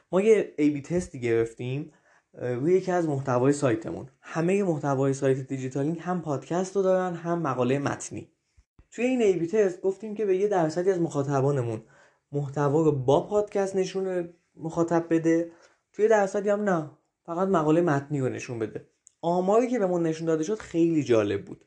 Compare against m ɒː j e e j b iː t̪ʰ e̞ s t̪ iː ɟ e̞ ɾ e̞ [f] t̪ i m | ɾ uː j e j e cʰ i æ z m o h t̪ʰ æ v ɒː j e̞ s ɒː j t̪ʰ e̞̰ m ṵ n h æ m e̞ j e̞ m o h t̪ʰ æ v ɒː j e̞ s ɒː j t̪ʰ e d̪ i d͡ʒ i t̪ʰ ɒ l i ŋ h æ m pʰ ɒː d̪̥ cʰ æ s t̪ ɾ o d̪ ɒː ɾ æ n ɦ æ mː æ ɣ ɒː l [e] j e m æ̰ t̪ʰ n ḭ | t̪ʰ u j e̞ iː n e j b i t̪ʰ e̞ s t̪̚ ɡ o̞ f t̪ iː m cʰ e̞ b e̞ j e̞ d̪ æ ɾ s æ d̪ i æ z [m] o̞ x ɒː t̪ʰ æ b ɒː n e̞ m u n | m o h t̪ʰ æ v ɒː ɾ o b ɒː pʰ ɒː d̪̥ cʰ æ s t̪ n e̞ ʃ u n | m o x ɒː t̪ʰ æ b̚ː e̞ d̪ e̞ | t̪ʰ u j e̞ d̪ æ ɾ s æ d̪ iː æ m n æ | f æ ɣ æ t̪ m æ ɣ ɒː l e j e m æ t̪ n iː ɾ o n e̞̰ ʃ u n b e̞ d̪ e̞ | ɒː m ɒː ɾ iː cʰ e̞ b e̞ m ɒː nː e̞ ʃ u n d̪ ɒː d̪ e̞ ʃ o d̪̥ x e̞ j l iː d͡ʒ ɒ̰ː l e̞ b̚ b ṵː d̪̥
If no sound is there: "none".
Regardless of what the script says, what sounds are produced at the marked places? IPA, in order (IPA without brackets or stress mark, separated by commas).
f, e, m